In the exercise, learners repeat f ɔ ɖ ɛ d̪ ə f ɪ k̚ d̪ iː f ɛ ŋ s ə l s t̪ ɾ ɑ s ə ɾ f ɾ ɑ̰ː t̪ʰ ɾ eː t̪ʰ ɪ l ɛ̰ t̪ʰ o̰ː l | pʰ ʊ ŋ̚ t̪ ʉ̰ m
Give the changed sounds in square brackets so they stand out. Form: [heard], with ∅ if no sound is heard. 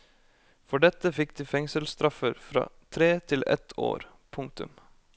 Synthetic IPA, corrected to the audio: f ɔ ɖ ɛ [t̪] ə f ɪ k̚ d̪ iː f ɛ ŋ s ə l s t̪ ɾ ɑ [f] ə ɾ f ɾ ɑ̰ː t̪ʰ ɾ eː t̪ʰ ɪ l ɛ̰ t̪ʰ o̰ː [ɾ] | pʰ ʊ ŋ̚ t̪ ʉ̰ m